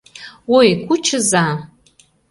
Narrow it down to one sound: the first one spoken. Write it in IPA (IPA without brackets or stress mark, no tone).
w